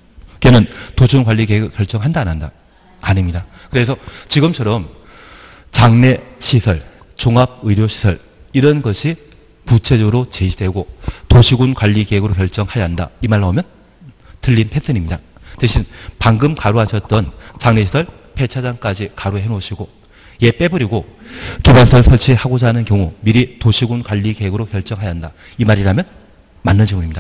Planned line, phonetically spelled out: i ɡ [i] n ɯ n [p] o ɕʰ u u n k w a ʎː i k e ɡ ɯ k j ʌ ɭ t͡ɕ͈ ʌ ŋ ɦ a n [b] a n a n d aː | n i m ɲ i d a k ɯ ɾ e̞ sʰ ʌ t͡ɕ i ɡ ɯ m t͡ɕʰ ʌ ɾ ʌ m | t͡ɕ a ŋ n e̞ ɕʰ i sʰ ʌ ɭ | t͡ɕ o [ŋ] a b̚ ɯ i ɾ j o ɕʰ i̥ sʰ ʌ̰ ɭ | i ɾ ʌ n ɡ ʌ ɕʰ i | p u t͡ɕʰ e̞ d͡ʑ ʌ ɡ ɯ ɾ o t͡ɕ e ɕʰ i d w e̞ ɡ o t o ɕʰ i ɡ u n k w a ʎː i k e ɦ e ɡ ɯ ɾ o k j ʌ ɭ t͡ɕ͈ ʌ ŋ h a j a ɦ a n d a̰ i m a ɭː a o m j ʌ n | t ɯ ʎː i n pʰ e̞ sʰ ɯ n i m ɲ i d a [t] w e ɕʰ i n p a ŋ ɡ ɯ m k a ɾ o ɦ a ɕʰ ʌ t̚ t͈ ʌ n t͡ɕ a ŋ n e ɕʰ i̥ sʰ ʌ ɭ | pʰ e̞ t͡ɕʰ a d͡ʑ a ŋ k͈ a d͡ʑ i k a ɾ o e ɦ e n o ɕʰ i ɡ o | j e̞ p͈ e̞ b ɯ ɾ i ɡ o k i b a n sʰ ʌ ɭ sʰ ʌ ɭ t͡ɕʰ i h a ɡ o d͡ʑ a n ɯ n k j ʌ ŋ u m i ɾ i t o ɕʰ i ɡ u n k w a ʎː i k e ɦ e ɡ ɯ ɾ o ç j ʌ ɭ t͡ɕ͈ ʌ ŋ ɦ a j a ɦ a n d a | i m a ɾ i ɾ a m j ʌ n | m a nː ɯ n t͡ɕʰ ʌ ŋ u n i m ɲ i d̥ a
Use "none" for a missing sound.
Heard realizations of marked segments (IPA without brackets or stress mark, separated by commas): e, t, d, ŋ, t